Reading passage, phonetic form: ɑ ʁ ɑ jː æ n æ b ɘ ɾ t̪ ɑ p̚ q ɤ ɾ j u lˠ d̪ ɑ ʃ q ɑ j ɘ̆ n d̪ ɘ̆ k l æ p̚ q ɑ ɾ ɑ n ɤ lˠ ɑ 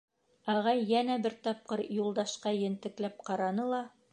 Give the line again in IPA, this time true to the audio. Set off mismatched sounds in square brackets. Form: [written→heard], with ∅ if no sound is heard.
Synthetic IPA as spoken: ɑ ʁ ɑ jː æ n æ b ɘ ɾ t̪ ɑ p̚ q ɤ ɾ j u lˠ d̪ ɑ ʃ q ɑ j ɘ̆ n [d̪→t̪] ɘ̆ k l æ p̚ q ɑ ɾ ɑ n ɤ lˠ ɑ

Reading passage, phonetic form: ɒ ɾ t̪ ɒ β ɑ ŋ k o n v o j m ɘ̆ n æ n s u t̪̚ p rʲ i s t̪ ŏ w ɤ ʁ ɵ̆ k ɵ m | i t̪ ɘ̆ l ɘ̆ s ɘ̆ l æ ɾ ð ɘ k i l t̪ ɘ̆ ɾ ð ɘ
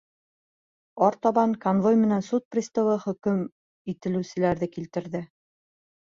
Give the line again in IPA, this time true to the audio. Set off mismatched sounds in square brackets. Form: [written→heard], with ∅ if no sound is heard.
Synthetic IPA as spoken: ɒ ɾ t̪ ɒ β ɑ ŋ k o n v o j m ɘ̆ n æ n s u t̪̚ p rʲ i s t̪ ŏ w ɤ [ʁ→χ] ɵ̆ k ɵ m | i t̪ ɘ̆ l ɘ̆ s ɘ̆ l æ ɾ ð ɘ k i l t̪ ɘ̆ ɾ ð ɘ

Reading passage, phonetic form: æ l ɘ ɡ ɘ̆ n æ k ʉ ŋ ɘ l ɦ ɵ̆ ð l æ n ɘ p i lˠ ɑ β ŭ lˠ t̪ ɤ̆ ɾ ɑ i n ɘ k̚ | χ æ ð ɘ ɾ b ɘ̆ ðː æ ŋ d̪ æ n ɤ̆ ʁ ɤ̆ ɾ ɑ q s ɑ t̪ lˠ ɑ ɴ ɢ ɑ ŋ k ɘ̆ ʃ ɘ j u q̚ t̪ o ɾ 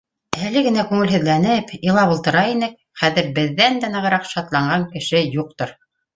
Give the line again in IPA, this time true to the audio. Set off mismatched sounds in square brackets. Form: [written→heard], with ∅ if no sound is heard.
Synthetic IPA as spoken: æ l ɘ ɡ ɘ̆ n æ k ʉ ŋ ɘ l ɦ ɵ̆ ð l æ n ɘ p i lˠ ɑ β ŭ lˠ t̪ ɤ̆ ɾ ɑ i n ɘ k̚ | χ æ ð ɘ ɾ b ɘ̆ ðː æ [ŋ→n] d̪ æ n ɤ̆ ʁ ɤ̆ ɾ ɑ q [s→ʃ] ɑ t̪ lˠ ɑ ɴ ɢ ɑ ŋ k ɘ̆ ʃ ɘ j u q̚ t̪ o ɾ

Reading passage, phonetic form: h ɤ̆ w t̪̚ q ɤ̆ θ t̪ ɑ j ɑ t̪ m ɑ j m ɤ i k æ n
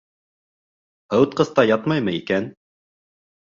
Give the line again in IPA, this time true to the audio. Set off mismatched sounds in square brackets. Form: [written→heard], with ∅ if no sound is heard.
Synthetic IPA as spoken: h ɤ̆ w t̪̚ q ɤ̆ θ t̪ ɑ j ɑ t̪ m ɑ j m ɤ i k æ n

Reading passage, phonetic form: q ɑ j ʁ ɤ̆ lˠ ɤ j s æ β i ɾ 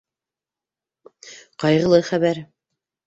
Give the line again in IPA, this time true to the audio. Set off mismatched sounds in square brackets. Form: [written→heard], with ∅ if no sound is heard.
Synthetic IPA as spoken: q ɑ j ʁ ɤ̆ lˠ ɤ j [s→χ] æ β [i→æ] ɾ

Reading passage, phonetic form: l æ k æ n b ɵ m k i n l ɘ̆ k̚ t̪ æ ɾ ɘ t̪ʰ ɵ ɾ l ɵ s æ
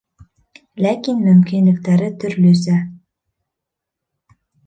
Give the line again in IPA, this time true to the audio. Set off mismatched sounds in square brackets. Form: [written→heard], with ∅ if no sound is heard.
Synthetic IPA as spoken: l æ k [æ→i] n [b→m] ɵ m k i n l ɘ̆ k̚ t̪ æ ɾ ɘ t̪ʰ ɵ ɾ l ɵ s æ

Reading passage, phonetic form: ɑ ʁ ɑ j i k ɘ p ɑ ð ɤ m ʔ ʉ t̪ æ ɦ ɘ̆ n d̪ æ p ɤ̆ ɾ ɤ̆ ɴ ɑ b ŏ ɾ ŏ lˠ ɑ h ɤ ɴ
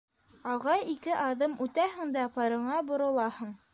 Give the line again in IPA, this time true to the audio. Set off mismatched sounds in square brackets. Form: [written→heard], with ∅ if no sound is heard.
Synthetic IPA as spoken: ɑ ʁ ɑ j i k ɘ [p→ʔ] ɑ ð ɤ m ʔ ʉ t̪ æ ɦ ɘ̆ [n→ŋ] d̪ æ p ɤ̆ ɾ ɤ̆ ɴ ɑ b ŏ ɾ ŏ lˠ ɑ h ɤ ɴ

